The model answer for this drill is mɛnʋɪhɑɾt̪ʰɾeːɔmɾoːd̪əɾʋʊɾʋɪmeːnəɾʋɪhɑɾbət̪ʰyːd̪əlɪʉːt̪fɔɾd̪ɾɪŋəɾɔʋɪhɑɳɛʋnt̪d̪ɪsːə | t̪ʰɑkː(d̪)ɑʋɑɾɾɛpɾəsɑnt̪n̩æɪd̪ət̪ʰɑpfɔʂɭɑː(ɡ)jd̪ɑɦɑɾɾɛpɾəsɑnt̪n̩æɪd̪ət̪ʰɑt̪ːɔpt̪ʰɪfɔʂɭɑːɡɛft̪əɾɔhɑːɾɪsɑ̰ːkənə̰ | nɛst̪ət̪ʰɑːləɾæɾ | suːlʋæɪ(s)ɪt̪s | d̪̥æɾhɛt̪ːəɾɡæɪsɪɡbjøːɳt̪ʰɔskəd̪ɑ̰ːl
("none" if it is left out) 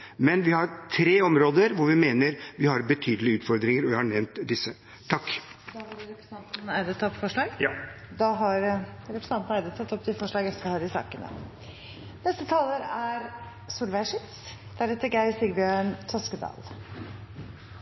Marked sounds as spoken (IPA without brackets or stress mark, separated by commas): d̪, ɡ, ʂ